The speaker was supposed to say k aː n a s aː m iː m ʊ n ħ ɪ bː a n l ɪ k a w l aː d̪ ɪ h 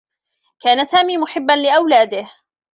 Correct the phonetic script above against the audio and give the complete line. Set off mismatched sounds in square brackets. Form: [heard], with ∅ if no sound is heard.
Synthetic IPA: k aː n a s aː m iː m ʊ [∅] ħ ɪ bː a n l ɪ [ʔ] a w l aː d̪ ɪ h